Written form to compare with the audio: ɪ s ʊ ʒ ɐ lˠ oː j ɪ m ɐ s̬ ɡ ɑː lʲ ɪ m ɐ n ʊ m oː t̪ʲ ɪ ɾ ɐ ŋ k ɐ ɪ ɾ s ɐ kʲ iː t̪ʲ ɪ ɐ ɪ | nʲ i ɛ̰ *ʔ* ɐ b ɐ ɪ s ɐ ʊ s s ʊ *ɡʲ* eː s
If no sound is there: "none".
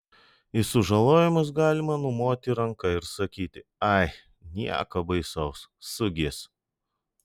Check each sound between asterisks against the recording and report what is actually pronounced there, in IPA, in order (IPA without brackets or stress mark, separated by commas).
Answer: k, ɡʲ